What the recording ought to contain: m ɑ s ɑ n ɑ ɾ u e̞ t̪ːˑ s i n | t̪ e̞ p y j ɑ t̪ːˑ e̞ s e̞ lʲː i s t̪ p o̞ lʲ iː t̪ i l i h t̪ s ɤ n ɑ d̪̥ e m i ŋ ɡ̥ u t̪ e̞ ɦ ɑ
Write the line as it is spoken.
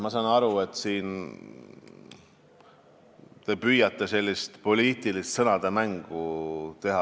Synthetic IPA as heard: m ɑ s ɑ n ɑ ɾ u e̞ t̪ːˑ s iː n | t̪ e̞ p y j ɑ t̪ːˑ e̞ s e̞ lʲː i s t̪ p o̞ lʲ iː t̪ i l i s t̪ s ɤ n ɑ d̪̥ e m æ ŋ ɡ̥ u t̪ e̞ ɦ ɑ